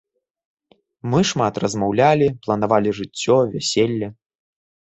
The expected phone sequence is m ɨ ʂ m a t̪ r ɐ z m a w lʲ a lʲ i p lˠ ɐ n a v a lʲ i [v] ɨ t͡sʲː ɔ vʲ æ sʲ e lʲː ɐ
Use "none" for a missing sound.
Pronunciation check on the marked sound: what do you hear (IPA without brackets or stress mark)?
ʐ